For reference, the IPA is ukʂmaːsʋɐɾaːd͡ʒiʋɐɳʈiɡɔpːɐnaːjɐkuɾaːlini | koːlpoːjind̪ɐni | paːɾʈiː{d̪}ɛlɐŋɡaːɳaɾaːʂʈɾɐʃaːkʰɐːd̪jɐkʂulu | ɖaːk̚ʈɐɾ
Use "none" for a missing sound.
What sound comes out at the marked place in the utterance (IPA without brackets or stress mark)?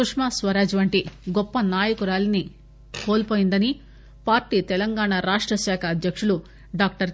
t̪